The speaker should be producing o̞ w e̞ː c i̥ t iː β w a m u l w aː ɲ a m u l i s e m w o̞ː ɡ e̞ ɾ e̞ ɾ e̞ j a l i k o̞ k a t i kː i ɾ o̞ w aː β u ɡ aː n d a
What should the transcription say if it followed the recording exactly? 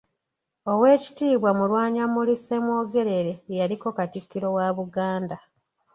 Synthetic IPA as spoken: o̞ w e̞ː c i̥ t iː β w a m u l w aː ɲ a m u l i s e m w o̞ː ɡ e̞ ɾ e̞ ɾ e̞ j a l i k o̞ k a t i kː i ɾ o̞ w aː β u ɡ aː n d a